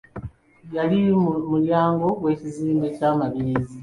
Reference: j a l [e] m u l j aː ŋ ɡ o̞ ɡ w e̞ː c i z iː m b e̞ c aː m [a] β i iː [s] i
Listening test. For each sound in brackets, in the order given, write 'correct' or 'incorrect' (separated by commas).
incorrect, correct, incorrect